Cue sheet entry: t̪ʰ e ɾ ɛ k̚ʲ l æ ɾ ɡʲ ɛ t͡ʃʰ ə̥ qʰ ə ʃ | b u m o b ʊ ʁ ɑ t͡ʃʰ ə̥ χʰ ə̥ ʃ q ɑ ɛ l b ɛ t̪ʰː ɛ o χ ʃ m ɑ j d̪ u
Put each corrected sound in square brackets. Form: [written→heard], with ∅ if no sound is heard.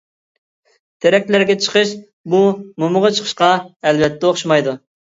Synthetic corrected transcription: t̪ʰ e ɾ ɛ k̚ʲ l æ ɾ ɡʲ ɛ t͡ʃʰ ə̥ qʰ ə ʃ | b u m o [b→m] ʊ ʁ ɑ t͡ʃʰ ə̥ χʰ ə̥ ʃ q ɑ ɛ l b ɛ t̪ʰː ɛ o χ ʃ m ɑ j d̪ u